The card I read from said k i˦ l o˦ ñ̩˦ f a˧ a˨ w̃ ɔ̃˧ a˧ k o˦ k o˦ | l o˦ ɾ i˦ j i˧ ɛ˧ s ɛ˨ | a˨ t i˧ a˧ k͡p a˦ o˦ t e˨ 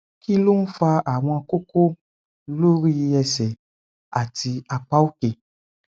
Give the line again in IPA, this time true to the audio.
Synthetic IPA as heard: k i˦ l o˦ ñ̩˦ f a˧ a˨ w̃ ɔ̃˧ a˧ k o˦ k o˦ | l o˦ ɾ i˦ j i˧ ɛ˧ s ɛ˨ | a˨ t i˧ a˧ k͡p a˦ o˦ k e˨

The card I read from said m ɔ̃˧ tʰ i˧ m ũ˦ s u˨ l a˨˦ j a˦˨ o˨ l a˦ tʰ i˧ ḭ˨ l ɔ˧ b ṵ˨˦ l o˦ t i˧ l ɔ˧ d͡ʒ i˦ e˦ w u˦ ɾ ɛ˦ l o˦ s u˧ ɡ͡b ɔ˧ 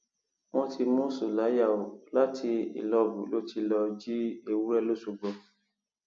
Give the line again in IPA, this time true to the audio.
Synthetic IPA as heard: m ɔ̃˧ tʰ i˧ m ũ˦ s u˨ l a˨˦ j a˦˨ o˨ l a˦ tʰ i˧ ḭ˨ l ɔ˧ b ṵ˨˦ l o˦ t i˧ l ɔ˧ d͡ʒ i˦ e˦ w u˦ ɾ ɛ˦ l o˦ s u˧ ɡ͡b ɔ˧

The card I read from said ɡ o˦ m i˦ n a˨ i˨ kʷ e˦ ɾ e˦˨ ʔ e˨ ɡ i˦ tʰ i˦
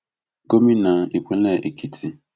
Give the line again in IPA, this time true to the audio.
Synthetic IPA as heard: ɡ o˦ m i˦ n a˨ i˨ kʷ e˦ l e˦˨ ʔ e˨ k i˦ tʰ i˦

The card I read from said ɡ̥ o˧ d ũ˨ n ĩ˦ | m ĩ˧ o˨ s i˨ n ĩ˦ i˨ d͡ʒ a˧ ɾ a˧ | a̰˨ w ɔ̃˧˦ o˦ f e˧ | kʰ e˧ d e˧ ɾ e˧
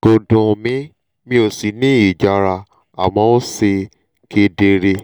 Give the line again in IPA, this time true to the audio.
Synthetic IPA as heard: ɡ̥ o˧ d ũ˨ m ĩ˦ | m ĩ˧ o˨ s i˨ n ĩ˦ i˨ d͡ʒ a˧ ɾ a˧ | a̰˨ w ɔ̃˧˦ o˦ s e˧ | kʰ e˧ d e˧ ɾ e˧

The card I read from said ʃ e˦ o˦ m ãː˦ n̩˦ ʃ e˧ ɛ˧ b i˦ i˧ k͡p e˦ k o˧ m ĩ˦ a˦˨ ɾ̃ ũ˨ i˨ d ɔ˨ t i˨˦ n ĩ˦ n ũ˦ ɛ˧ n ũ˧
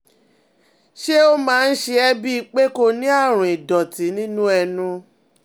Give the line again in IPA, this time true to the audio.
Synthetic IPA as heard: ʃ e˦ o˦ m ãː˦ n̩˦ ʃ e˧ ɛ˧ b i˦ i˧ k͡p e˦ k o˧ n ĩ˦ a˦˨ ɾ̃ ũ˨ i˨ d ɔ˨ t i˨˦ n ĩ˦ n ũ˦ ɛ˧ n ũ˧

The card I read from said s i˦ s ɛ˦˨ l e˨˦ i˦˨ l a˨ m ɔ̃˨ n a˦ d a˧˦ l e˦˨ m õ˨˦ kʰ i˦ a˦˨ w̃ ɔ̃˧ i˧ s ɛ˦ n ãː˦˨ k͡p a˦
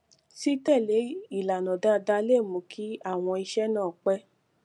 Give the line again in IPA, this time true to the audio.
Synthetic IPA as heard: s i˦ t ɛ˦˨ l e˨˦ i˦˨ l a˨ n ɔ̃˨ d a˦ d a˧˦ l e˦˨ m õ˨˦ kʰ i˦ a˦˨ w̃ ɔ̃˧ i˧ ʃ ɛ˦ n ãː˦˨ k͡p ɛ˦

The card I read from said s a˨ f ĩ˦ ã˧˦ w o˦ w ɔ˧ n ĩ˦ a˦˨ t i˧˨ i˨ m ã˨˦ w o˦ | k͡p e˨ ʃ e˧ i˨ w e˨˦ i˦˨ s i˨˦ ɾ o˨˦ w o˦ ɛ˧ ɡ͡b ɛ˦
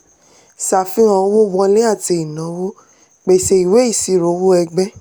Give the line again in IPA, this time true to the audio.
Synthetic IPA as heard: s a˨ f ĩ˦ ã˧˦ w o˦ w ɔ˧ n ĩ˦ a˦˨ t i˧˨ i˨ n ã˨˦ w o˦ | k͡p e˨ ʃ e˧ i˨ w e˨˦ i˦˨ s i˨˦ ɾ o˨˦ w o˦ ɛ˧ ɡ͡b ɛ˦

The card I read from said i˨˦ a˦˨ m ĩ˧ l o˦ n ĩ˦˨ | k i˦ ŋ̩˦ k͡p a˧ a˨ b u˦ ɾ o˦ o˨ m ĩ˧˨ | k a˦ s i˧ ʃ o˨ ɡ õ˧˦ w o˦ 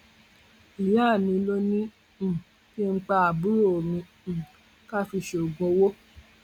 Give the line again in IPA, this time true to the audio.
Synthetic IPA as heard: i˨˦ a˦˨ m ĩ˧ l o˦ n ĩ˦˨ | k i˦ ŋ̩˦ k͡p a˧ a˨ b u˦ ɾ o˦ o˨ m ĩ˧˨ | k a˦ f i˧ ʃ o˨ ɡ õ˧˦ w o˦

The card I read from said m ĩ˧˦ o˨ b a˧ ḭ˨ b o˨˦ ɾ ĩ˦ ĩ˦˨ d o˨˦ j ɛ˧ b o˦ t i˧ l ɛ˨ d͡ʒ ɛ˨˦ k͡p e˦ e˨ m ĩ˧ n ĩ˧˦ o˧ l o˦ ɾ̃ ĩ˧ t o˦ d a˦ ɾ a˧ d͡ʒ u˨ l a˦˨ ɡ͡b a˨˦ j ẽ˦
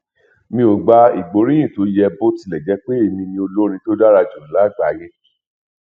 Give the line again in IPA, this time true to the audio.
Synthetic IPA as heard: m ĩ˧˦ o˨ ɡ͡b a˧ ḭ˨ ɡ͡b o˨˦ ɾ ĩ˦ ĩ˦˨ t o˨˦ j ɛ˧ b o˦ t i˧ l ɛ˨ d͡ʒ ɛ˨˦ k͡p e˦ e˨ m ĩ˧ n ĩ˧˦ o˧ l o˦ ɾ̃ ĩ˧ t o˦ d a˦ ɾ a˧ d͡ʒ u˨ l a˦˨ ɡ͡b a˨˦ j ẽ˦

